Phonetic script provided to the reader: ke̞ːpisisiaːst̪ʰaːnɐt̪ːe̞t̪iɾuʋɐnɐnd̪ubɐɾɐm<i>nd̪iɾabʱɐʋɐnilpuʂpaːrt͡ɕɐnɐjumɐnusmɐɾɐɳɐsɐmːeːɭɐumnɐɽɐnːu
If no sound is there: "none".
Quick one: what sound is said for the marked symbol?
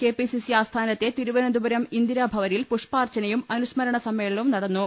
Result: i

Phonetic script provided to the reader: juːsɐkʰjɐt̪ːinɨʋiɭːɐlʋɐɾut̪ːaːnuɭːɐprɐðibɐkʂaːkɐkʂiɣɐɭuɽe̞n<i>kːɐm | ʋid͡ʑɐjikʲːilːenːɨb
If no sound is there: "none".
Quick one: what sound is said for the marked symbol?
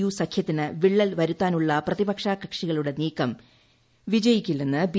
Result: iː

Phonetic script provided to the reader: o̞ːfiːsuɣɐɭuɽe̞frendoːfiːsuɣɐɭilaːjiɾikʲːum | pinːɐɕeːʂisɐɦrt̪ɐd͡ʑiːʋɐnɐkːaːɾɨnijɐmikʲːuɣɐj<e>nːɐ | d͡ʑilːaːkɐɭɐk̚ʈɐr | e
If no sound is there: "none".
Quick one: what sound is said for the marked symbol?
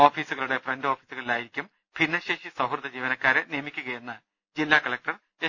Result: e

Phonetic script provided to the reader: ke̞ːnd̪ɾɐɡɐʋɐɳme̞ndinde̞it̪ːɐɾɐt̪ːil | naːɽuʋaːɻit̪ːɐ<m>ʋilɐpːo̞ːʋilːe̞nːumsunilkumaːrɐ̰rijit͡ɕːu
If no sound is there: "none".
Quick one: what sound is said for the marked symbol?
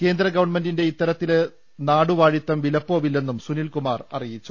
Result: m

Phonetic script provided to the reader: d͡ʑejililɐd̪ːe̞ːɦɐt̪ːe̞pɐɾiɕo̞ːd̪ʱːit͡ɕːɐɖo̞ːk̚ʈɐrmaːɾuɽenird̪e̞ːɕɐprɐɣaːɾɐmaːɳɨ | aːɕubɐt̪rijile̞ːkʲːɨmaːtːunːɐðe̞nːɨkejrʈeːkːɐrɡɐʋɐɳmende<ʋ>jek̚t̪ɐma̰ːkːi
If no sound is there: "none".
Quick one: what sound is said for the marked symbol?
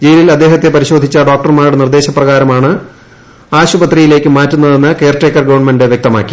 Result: ʋ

